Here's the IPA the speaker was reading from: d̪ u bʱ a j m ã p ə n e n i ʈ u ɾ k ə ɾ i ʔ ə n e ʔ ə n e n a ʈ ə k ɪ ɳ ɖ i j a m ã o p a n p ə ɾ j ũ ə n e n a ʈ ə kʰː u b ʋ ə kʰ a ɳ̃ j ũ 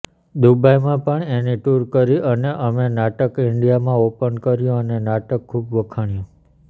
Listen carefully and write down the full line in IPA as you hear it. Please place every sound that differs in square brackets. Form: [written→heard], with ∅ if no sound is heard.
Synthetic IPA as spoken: d̪ u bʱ a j m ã p ə [n→ɳ] e n i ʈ u ɾ k ə ɾ i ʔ ə n e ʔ ə [n→m] e n a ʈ ə k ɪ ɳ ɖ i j a m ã o p [a→ə] n [p→k] ə ɾ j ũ ə n e n a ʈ ə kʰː u b ʋ ə kʰ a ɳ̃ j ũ